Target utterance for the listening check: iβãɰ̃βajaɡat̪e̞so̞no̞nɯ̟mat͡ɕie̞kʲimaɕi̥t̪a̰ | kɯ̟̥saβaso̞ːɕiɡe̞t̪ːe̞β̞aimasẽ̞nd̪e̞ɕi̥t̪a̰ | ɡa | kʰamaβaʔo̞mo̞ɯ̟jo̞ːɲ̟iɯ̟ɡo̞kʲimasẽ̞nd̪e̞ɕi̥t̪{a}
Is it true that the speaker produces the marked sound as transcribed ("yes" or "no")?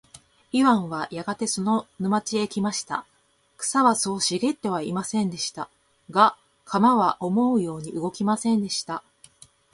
yes